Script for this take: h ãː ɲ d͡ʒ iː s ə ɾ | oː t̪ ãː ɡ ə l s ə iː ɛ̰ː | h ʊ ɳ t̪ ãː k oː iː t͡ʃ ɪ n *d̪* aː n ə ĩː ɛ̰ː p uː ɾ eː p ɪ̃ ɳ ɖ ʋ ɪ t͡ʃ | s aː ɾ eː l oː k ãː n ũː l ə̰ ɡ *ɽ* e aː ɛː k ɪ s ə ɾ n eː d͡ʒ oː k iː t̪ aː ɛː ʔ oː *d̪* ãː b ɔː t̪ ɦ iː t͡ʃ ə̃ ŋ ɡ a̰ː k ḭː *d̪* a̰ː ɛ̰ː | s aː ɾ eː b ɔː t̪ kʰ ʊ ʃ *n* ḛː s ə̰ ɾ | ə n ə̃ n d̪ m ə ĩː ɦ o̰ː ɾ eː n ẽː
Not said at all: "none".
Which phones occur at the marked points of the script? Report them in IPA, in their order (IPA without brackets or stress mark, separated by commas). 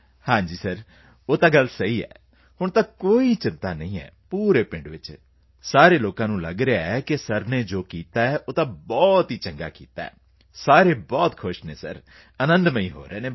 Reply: t̪, ɾ, t̪, t̪, n